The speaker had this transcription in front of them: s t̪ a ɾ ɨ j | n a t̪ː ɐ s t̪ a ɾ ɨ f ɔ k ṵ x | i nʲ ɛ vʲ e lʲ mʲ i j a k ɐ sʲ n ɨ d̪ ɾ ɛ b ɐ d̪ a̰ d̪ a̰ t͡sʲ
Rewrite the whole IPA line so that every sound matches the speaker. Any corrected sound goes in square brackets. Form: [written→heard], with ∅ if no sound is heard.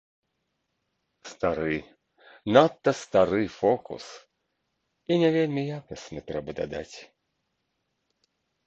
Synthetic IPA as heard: s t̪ a ɾ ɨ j | n a t̪ː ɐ s t̪ a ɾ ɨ f ɔ k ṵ [x→s] | i nʲ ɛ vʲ e lʲ mʲ i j a k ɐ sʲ n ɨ [d̪→t̪] ɾ ɛ b ɐ d̪ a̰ d̪ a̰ t͡sʲ